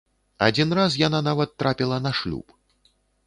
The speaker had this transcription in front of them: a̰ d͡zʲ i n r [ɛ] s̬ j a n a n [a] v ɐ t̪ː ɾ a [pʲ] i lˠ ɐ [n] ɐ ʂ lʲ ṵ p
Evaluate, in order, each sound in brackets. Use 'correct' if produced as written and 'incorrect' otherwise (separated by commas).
incorrect, correct, correct, correct